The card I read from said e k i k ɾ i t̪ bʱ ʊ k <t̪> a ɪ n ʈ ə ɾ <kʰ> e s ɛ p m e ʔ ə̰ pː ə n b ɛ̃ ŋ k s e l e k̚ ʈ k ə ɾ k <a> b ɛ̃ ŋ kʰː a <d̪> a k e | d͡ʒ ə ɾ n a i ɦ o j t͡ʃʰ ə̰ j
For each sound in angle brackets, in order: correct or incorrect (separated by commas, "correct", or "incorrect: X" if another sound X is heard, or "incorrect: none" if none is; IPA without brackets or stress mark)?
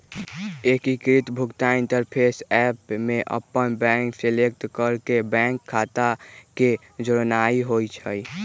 correct, incorrect: pʰ, incorrect: e, incorrect: t̪